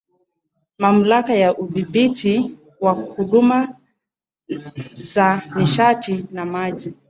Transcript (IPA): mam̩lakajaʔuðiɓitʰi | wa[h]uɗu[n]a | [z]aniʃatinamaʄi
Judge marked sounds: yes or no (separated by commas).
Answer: yes, no, yes